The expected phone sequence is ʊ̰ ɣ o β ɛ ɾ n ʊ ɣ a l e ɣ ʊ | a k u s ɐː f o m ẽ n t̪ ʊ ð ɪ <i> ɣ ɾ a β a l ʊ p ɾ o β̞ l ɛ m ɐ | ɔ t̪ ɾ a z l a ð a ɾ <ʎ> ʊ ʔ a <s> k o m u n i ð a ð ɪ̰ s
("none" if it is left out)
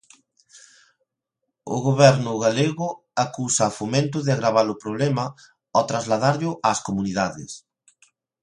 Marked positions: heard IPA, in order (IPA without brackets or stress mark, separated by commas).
a, ʎ, s